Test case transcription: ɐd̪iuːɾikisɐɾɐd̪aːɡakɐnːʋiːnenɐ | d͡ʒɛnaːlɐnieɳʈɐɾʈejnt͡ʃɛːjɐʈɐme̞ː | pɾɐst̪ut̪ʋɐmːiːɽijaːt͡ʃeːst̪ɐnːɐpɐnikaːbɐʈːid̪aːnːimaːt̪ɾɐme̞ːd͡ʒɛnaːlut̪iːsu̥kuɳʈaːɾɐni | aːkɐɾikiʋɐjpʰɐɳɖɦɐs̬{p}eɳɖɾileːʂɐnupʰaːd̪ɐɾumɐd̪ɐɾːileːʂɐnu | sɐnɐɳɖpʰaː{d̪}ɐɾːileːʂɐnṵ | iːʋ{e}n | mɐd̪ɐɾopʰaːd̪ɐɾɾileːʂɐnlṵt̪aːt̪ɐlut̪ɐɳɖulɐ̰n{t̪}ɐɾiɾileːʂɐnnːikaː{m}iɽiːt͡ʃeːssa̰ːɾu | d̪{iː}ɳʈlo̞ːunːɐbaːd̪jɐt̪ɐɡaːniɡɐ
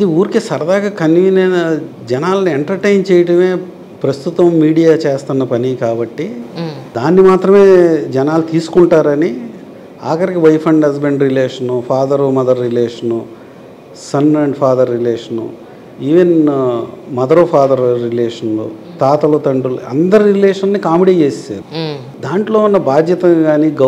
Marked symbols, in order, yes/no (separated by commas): no, yes, yes, no, yes, no